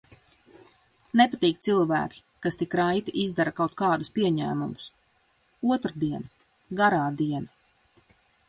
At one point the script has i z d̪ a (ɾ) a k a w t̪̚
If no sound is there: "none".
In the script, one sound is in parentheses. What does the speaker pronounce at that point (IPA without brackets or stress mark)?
ɾ